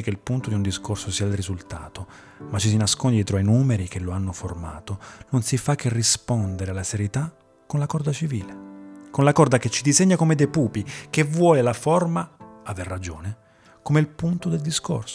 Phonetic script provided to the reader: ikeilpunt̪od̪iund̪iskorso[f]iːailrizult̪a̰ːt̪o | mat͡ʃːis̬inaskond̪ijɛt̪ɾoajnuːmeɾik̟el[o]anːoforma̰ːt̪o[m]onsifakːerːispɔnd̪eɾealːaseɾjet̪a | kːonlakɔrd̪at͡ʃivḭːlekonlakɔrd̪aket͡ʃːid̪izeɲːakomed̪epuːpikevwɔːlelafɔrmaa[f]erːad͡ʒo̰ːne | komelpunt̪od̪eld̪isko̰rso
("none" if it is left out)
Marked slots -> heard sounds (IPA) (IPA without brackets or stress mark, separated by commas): s, o, n, v